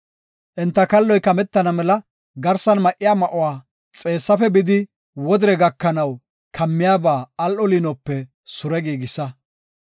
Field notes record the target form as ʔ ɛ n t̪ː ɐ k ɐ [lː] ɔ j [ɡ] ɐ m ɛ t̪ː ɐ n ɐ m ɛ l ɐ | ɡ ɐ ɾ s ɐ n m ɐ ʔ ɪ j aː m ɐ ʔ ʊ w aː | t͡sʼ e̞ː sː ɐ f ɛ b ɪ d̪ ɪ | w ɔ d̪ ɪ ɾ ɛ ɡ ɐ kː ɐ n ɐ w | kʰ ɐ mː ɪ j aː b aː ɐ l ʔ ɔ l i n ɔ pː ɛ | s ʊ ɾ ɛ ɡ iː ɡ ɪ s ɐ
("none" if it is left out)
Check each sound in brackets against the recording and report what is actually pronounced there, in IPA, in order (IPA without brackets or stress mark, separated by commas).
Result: lː, k